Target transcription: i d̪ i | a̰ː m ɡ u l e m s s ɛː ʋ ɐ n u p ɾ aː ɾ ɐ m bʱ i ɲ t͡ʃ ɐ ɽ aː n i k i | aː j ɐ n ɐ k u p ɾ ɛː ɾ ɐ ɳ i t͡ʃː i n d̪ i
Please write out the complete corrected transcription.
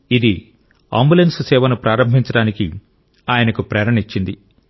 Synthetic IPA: i d̪ i | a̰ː m b u l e n s s ɛː ʋ ɐ n u p ɾ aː ɾ ɐ m bʱ i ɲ t͡ʃ ɐ ɽ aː n i k i | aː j ɐ n ɐ k u p ɾ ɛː ɾ ɐ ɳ i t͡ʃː i n d̪ i